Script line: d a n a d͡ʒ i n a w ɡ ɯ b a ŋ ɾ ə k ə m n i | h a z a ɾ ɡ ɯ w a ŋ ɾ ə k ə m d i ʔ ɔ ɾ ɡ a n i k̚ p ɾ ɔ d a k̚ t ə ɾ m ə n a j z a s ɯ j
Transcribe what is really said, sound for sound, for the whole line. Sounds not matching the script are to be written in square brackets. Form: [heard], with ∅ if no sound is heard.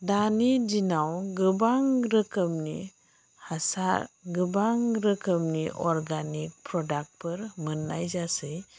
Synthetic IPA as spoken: d a n [i] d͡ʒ i n a w ɡ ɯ b a ŋ ɾ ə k ə m n i | h a [s] a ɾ ɡ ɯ [b] a ŋ ɾ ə k ə m [n] i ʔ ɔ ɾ ɡ a n i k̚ p ɾ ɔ d a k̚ [p] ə ɾ m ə n a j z a s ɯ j